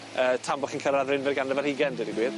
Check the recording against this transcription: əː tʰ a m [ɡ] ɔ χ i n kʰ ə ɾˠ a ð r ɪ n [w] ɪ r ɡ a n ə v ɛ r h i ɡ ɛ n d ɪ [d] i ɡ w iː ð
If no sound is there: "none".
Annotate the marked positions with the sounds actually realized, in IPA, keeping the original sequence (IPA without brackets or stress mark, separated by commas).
b, v, d